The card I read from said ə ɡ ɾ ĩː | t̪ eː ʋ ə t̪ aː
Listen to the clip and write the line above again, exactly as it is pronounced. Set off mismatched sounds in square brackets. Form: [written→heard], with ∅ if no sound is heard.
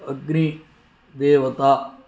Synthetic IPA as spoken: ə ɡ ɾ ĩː | [t̪→d̪] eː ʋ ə t̪ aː